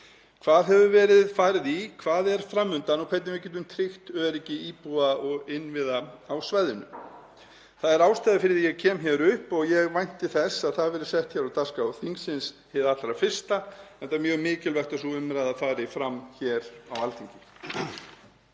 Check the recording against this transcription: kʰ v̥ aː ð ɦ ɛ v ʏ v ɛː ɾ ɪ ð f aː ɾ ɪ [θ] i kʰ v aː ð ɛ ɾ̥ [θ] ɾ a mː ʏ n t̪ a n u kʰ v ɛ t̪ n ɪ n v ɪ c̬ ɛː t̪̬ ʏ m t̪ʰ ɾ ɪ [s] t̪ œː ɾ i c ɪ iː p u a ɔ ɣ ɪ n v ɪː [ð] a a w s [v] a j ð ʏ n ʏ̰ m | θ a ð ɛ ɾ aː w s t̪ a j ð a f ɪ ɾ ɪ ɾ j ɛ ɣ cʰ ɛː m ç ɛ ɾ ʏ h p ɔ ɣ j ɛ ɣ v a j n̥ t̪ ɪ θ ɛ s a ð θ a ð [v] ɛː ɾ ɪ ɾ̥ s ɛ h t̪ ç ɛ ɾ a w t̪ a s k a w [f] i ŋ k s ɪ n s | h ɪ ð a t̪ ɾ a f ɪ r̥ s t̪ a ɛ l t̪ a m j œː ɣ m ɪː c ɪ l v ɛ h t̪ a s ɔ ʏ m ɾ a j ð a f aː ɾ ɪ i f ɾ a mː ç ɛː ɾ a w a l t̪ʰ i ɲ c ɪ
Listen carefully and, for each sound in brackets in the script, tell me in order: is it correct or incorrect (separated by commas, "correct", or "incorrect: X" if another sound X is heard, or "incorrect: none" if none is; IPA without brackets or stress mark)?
incorrect: ð, incorrect: f, incorrect: x, correct, correct, correct, incorrect: θ